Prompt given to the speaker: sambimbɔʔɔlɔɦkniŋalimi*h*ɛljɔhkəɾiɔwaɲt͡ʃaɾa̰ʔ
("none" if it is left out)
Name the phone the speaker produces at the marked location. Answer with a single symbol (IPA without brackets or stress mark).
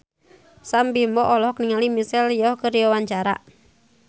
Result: s